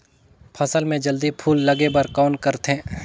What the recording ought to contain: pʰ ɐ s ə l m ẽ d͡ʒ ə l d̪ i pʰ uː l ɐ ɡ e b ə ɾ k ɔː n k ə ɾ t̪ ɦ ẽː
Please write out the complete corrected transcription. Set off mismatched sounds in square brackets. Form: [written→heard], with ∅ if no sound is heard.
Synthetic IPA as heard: pʰ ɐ s ə l m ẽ d͡ʒ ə l d̪ i pʰ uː [l→lː] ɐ ɡ e b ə ɾ k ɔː n k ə ɾ t̪ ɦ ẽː